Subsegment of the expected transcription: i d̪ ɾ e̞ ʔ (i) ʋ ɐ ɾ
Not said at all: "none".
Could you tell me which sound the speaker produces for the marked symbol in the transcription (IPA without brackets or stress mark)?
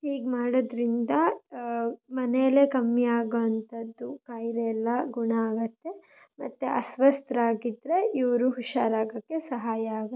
i